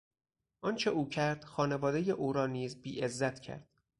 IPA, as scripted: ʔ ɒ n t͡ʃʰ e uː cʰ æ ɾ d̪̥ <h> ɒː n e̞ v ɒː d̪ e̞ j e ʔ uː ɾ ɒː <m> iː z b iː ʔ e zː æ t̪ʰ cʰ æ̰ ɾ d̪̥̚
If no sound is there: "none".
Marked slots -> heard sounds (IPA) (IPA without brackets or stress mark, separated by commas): x, n